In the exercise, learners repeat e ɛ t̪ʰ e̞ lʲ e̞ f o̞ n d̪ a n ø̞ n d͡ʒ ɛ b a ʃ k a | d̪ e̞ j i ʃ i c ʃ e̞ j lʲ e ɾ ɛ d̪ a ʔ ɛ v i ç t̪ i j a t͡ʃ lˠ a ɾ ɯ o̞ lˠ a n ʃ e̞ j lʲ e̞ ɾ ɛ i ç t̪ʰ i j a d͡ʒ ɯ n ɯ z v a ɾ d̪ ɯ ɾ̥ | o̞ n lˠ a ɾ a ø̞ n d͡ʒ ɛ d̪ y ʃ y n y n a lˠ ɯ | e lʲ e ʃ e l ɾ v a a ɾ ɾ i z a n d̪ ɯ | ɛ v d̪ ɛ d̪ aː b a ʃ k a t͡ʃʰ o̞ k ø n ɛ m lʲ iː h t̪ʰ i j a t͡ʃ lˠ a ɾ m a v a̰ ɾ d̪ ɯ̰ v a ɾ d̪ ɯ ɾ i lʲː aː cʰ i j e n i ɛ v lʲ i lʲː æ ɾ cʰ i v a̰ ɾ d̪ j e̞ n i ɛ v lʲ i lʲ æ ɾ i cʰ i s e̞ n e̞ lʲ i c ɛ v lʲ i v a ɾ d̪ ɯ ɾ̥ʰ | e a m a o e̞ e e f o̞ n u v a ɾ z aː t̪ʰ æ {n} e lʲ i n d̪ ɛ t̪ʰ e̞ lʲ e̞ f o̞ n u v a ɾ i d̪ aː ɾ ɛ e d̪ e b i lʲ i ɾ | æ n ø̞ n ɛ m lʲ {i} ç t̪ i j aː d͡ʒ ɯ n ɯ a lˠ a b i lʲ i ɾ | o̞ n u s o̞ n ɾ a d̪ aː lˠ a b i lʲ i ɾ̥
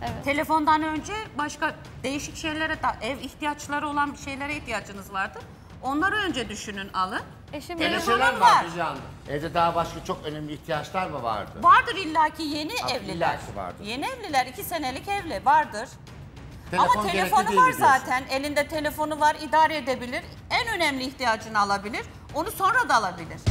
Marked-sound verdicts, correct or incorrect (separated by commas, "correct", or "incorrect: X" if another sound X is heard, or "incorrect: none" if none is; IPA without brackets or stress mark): correct, incorrect: iː